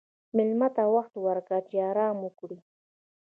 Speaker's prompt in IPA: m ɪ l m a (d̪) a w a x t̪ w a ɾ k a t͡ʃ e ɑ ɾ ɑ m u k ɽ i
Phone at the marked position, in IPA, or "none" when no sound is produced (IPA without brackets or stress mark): t̪